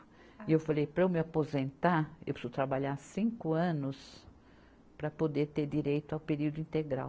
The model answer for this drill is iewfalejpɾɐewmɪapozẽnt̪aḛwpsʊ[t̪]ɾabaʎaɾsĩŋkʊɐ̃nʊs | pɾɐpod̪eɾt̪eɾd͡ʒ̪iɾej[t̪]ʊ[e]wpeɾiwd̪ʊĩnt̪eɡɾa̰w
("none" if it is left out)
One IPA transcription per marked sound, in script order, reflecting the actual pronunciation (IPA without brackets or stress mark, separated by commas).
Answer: t̪, t̪, a